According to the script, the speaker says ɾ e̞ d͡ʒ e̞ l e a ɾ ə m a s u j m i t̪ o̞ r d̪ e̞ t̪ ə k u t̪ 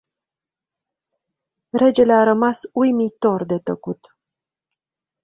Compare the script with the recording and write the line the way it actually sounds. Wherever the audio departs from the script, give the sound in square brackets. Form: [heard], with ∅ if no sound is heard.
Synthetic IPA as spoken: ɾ e̞ d͡ʒ e̞ l e a ɾ ə m a s u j m i t̪ o̞ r d̪ e̞ t̪ ə k u t̪

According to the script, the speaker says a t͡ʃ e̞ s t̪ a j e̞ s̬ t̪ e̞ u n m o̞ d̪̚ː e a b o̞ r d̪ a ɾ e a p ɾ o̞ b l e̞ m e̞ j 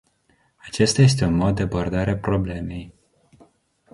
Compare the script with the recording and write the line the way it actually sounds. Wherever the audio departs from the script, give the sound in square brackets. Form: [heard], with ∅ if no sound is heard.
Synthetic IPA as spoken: a t͡ʃ e̞ s t̪ a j e̞ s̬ t̪ e̞ u n m o̞ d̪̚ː e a b o̞ r d̪ a ɾ e a p ɾ o̞ b l e̞ m e̞ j

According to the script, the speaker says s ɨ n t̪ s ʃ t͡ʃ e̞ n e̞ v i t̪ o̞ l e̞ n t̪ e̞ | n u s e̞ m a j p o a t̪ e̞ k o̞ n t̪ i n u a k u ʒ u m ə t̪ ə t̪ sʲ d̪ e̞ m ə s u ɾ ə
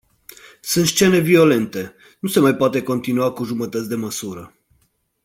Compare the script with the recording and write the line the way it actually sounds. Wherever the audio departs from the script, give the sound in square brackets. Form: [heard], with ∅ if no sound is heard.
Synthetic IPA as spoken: s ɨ n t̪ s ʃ t͡ʃ e̞ n e̞ v i [∅] o̞ l e̞ n t̪ e̞ | n u s e̞ m a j p o a t̪ e̞ k o̞ n t̪ i n u a k u ʒ u m ə t̪ ə t̪ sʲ d̪ e̞ m ə s u ɾ ə

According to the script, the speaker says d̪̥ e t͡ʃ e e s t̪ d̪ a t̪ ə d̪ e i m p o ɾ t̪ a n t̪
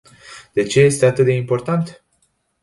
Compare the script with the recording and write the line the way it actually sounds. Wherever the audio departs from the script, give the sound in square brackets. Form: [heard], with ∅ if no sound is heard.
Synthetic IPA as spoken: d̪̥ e t͡ʃ e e s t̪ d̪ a t̪ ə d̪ e i m p o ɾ t̪ a n t̪

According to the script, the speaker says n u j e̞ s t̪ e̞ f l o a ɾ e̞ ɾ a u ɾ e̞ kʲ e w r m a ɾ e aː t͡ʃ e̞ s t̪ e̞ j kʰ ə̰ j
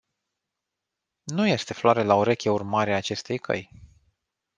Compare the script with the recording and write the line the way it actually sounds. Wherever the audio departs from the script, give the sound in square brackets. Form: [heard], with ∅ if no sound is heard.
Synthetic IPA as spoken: n u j e̞ s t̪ e̞ f l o a ɾ e̞ [l] a [o] ɾ e̞ kʲ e [u] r m a ɾ e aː t͡ʃ e̞ s t̪ e̞ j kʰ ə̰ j

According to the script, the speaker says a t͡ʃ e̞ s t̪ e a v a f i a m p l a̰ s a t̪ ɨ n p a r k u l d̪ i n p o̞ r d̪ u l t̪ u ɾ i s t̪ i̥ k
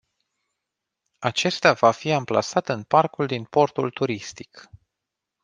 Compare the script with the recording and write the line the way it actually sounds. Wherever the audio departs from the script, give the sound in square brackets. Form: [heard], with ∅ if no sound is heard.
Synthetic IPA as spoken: a t͡ʃ e̞ s t̪ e a v a f i a m p l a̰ s a t̪ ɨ n p a r k u l d̪ i n p o̞ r [t̪] u l t̪ u ɾ i s t̪ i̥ k

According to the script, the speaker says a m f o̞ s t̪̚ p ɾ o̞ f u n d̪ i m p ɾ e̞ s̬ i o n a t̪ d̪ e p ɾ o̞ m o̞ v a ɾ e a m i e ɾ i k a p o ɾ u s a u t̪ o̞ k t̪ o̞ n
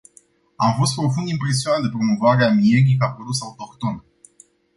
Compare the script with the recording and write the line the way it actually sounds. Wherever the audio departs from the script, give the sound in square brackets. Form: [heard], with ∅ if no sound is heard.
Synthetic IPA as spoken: a m f o̞ s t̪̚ p ɾ o̞ f u n d̪ i m p ɾ e̞ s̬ i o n a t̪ d̪ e p ɾ o̞ m o̞ v a ɾ e a m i e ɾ i k a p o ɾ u s a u t̪ o̞ k t̪ o̞ n

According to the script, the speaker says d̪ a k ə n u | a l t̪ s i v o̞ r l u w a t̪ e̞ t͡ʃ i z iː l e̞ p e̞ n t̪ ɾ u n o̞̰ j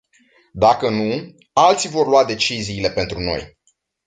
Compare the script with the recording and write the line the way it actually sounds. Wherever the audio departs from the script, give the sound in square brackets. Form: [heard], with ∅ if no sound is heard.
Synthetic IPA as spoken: d̪ a k ə n u | a l t̪ s i v o̞ r l u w a [d̪] e̞ t͡ʃ i z iː l e̞ p e̞ n t̪ ɾ u n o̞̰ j

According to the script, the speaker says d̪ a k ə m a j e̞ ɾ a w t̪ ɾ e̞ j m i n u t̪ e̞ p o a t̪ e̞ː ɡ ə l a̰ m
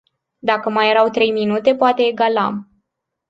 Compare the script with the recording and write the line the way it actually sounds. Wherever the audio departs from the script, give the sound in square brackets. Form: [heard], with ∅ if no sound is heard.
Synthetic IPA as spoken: d̪ a k ə m a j e̞ ɾ a w t̪ ɾ e̞ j m i n u t̪ e̞ p o a t̪ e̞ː ɡ [a] l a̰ m

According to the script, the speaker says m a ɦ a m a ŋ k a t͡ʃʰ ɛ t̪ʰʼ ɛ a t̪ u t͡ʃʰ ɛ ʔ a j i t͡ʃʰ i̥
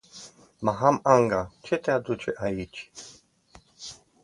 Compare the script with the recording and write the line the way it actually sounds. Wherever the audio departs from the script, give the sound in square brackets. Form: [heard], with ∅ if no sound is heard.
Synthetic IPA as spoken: m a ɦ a m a ŋ [ɡ] a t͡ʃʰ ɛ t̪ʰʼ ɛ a [d̪] u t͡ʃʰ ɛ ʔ a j i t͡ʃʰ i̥

